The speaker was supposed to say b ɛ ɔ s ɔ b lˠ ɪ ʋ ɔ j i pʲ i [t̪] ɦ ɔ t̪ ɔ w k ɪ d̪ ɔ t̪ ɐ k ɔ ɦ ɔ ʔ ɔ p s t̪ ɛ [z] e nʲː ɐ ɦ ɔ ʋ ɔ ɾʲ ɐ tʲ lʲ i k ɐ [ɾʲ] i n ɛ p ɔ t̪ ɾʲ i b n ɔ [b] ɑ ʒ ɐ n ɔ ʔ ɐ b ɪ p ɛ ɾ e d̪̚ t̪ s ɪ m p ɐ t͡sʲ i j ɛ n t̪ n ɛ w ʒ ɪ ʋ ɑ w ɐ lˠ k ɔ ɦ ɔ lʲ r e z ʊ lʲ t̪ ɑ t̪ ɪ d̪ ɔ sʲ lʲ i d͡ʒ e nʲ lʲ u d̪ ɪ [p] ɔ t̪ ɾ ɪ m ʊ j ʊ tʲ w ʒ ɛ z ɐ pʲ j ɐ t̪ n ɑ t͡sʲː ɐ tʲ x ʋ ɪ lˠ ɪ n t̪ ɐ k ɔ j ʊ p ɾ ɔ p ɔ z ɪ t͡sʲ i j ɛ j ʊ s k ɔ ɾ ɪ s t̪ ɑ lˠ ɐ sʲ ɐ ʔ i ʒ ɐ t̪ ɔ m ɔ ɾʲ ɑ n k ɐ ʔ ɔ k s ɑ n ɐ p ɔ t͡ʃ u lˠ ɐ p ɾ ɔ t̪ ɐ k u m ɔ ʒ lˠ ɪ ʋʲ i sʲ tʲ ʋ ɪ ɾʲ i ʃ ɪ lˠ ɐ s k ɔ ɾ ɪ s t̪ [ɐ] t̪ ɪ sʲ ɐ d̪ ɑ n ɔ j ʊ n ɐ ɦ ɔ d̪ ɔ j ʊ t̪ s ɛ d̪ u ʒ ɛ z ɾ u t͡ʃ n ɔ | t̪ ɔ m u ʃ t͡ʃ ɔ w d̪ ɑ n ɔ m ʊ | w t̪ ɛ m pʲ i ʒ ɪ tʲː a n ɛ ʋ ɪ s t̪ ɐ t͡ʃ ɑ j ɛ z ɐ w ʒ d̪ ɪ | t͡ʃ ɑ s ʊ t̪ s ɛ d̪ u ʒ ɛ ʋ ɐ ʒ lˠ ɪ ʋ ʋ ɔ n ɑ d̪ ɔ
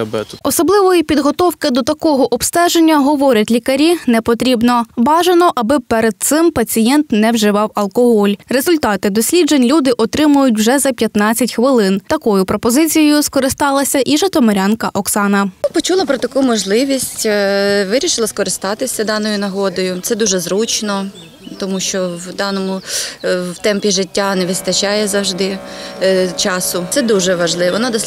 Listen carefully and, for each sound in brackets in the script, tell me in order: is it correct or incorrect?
incorrect: d̪, incorrect: ʒ, correct, correct, incorrect: ʔ, incorrect: ɑ

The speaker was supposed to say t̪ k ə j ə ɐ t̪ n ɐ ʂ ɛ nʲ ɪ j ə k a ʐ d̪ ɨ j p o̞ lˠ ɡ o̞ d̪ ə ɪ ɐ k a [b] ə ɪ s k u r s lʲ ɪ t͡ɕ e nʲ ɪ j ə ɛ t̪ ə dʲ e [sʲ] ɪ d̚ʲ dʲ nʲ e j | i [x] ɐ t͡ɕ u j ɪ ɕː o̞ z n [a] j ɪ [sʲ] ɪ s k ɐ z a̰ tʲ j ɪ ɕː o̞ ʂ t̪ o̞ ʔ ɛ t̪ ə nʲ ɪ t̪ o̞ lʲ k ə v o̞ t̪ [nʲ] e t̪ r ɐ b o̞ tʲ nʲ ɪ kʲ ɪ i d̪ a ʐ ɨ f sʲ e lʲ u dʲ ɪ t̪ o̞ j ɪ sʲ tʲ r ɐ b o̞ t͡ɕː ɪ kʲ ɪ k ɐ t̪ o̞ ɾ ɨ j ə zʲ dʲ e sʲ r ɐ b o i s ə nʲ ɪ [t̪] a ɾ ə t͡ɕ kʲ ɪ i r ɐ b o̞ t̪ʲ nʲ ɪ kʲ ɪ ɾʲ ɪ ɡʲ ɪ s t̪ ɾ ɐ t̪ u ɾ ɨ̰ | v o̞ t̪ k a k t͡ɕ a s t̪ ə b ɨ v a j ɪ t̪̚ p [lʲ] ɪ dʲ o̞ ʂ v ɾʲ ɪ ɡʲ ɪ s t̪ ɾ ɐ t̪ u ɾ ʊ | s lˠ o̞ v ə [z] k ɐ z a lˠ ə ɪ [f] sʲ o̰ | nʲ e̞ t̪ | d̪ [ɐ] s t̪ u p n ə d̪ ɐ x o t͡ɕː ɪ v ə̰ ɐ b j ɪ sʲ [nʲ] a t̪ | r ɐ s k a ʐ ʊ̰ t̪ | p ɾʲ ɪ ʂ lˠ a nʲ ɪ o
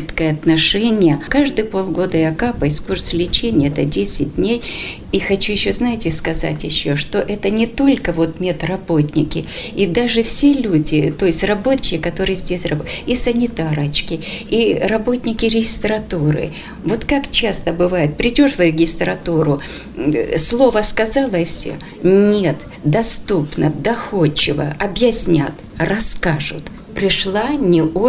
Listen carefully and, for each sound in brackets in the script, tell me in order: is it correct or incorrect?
incorrect: p, correct, correct, correct, incorrect: tʲ, incorrect: mʲ, correct, incorrect: ɾʲ, incorrect: s, correct, correct, correct

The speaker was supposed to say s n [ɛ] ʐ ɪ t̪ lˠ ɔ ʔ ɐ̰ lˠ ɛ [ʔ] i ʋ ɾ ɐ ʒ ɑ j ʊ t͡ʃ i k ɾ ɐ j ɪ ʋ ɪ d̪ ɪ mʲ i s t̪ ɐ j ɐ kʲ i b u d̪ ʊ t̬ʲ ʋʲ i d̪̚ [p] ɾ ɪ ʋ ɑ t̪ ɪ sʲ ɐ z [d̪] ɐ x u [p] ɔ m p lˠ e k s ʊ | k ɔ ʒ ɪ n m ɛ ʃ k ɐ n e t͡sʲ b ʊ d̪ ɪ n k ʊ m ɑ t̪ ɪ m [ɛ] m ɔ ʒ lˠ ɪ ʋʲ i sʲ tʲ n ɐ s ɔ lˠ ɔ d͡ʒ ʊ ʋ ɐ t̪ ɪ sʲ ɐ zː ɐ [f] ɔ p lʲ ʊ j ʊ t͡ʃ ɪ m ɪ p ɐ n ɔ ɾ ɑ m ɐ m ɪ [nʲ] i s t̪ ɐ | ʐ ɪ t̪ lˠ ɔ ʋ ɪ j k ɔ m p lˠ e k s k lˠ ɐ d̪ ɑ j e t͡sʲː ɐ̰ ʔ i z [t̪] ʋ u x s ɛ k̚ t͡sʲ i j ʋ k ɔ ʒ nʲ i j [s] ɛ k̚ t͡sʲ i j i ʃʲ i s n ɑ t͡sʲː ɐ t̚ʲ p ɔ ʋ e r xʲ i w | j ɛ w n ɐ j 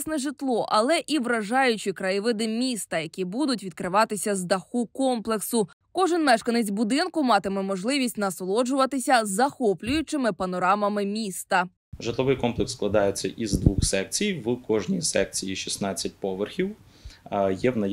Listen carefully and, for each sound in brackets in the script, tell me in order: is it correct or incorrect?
correct, correct, incorrect: k, correct, incorrect: k, correct, incorrect: x, incorrect: mʲ, incorrect: d̪, correct

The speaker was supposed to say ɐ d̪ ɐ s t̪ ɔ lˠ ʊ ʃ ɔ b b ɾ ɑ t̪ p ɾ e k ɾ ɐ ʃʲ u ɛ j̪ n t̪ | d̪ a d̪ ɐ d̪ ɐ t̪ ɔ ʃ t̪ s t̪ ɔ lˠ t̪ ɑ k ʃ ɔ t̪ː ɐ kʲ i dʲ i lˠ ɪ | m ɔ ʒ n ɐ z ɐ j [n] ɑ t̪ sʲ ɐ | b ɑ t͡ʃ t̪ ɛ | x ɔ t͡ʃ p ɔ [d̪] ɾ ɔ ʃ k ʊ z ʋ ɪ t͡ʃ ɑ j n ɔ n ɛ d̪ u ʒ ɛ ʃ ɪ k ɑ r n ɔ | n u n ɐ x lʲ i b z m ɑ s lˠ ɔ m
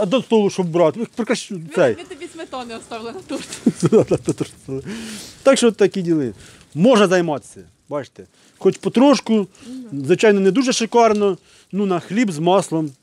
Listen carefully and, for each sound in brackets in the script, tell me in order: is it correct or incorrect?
incorrect: m, incorrect: t̪

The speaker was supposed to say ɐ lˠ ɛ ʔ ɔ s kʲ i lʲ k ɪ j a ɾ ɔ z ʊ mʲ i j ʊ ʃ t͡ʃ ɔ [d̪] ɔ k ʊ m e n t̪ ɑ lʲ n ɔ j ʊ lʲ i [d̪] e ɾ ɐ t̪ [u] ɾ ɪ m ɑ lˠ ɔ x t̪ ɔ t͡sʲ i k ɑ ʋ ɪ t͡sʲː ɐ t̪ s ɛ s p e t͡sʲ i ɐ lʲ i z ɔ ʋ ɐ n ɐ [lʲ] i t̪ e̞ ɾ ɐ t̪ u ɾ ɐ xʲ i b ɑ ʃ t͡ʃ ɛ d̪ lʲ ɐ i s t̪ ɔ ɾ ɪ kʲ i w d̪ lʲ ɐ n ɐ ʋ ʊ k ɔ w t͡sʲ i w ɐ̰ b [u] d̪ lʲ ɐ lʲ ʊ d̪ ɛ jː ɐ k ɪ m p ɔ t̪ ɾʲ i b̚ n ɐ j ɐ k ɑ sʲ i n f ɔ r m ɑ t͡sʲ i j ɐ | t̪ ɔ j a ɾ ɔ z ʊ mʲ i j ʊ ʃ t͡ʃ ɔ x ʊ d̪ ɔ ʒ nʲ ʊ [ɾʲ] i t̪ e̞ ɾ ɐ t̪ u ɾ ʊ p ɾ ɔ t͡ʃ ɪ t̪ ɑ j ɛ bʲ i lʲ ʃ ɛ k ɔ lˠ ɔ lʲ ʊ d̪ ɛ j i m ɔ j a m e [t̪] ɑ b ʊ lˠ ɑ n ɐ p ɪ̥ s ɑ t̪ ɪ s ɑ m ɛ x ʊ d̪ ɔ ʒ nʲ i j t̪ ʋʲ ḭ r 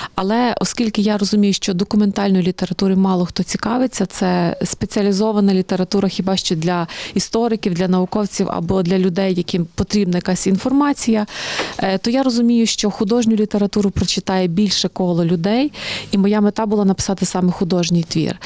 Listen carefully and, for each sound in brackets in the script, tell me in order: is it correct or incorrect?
correct, incorrect: t̪, correct, correct, incorrect: ɔ, incorrect: lʲ, correct

